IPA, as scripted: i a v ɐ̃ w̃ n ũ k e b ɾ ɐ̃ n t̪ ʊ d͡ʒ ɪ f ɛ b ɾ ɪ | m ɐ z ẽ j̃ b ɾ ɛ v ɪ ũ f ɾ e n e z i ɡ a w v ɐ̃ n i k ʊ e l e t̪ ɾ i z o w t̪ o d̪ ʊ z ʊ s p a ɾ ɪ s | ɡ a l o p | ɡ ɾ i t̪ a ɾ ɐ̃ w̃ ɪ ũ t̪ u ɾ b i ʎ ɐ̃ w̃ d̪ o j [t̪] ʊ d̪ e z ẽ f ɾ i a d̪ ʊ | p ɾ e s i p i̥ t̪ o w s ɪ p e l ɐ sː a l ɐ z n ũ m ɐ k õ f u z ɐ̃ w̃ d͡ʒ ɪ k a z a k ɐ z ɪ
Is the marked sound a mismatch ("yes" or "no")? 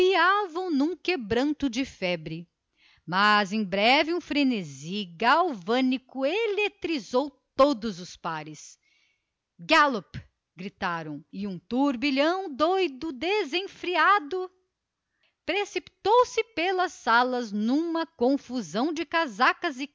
yes